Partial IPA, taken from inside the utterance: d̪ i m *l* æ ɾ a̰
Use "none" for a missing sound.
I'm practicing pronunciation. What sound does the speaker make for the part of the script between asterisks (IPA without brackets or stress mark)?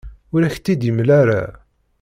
l